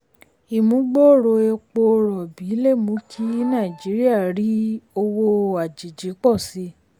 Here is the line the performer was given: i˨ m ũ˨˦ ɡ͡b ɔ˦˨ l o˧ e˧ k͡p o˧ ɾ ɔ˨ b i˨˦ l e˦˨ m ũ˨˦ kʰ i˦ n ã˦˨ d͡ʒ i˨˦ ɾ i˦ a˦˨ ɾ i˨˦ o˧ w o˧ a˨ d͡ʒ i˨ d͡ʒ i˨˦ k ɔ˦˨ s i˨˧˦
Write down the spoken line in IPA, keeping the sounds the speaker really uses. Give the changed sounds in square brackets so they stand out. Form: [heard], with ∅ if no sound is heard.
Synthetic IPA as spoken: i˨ m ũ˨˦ ɡ͡b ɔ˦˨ [ɾ] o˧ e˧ k͡p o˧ ɾ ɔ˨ b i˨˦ l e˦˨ m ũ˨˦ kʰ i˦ n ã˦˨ d͡ʒ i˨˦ ɾ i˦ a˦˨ ɾ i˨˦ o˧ w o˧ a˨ d͡ʒ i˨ d͡ʒ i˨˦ [k͡p] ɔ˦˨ s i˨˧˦

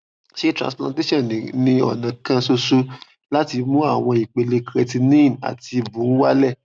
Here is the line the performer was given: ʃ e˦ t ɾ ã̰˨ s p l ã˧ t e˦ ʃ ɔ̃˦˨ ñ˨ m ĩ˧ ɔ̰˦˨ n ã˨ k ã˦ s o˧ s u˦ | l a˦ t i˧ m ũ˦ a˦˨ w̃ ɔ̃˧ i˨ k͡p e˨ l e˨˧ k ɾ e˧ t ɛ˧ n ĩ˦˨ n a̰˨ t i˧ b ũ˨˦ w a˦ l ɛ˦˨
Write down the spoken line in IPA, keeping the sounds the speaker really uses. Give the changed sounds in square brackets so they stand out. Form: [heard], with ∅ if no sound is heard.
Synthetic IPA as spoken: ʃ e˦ t ɾ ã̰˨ s p l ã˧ t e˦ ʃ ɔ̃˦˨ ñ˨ [n] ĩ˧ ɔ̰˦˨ n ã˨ k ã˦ s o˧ s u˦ | l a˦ t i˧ m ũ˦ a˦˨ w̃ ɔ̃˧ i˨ k͡p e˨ l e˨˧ k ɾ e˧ t [i˧] n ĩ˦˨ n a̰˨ t i˧ b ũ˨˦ w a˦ l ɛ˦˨

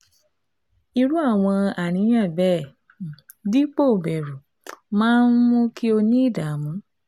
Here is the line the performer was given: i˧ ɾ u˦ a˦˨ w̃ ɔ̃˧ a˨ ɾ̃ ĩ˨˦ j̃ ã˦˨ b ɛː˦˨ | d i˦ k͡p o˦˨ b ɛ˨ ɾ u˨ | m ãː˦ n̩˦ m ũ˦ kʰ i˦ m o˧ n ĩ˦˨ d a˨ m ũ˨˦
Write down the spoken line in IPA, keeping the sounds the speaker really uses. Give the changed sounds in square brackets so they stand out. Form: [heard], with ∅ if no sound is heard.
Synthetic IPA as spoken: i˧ ɾ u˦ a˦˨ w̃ ɔ̃˧ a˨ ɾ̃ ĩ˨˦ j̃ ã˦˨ b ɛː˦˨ | d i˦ k͡p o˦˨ b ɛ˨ ɾ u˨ | m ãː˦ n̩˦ m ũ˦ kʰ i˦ [∅] o˧ n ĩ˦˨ d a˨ m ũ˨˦

